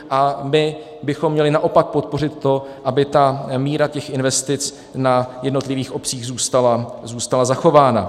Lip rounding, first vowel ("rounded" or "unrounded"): unrounded